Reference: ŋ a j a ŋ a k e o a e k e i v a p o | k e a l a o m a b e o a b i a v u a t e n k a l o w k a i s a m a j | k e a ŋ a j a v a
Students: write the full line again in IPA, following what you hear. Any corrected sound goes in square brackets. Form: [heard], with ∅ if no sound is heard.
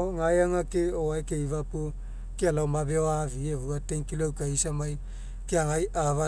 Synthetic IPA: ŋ a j a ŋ a k e o a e k e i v a p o | k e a l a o m a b e o a [v] i [e] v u a t e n k [i] l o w k a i s a m a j | k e a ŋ a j a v a